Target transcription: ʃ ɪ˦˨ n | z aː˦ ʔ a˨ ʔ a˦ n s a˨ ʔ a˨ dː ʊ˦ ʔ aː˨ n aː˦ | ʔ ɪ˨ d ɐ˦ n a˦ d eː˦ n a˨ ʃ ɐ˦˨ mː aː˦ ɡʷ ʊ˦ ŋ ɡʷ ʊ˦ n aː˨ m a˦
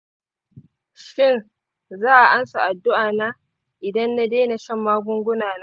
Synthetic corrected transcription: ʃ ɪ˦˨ n | z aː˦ ʔ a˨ ʔ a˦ n s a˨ ʔ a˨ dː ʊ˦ ʔ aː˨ n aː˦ | ʔ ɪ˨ d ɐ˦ nː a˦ d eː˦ n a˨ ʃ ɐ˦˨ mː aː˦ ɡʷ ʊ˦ ŋ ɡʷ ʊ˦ n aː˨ n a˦